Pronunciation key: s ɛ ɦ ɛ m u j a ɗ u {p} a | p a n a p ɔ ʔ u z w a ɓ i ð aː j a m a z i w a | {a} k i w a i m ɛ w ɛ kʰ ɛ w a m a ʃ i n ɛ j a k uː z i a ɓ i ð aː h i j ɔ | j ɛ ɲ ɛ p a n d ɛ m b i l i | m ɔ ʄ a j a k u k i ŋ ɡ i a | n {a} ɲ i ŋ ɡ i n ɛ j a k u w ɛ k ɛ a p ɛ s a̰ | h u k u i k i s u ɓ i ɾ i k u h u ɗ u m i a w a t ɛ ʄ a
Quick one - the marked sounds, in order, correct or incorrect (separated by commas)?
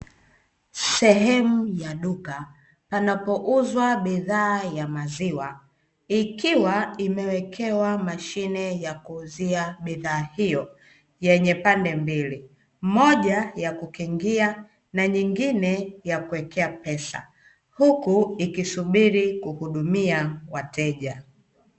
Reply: incorrect, incorrect, correct